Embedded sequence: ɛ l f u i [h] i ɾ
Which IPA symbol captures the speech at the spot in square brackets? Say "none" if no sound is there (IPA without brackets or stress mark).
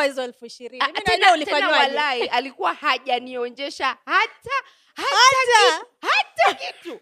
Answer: ʃ